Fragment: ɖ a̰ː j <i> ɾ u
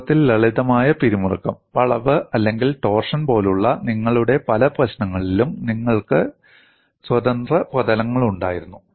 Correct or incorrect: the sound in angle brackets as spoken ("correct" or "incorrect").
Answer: correct